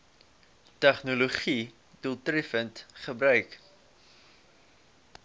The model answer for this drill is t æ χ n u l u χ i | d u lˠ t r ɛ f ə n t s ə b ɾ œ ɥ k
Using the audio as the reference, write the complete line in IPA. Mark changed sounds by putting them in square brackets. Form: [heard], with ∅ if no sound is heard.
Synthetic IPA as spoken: t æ χ n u l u χ i | d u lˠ t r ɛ f ə n t [χ] ə b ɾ œ ɥ k